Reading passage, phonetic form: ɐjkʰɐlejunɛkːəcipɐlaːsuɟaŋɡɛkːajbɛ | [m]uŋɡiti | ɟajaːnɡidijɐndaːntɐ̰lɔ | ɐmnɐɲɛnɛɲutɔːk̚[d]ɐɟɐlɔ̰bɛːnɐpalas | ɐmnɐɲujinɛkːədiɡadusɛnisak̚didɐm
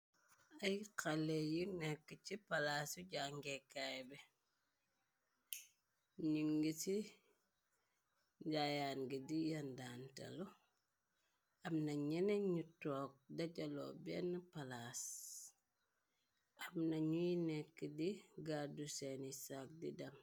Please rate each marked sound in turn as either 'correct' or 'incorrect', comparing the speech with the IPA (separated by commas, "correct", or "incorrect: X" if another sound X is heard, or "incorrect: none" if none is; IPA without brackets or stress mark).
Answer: incorrect: ɲ, correct